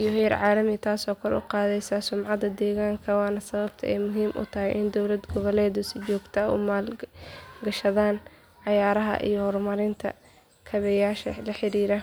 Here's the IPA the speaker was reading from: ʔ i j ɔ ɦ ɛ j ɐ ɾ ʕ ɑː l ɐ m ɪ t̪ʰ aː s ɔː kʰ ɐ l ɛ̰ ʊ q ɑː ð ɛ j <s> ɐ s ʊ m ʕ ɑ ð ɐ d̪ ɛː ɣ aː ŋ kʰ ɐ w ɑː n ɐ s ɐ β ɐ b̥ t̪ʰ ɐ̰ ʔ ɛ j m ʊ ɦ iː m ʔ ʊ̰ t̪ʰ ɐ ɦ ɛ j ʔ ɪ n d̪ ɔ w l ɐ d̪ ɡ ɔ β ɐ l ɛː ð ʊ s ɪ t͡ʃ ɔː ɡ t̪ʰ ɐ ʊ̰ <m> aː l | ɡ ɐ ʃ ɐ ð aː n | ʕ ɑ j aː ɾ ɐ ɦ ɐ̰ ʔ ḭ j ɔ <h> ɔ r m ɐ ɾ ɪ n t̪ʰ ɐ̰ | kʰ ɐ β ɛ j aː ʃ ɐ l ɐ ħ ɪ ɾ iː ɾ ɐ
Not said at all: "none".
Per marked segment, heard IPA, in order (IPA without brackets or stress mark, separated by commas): s, m, h